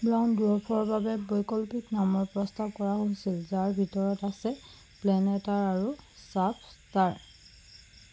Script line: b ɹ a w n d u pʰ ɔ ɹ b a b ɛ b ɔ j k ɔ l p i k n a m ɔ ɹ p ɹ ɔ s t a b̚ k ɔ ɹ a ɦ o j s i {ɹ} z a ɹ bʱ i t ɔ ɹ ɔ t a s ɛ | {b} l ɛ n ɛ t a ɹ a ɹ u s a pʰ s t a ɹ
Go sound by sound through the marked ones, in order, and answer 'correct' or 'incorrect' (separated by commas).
incorrect, incorrect